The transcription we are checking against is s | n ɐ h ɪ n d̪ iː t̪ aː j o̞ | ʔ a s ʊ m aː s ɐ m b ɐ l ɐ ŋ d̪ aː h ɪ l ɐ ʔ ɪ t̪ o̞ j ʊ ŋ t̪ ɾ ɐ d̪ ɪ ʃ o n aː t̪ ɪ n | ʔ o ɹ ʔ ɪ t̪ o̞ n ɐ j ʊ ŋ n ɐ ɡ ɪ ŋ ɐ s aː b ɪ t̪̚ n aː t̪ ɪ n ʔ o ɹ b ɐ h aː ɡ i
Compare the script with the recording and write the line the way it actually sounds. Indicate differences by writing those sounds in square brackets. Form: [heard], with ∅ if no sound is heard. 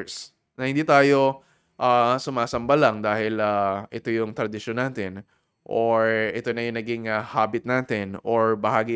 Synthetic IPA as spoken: s | n ɐ h ɪ n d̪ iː t̪ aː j o̞ | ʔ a s ʊ m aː s ɐ m b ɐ l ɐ ŋ d̪ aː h ɪ l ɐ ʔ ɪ t̪ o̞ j ʊ ŋ t̪ ɾ ɐ d̪ ɪ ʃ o n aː t̪ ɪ n | ʔ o ɹ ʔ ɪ t̪ o̞ n ɐ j ʊ ŋ n ɐ ɡ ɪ ŋ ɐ [h] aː b ɪ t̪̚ n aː t̪ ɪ n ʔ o ɹ b ɐ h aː ɡ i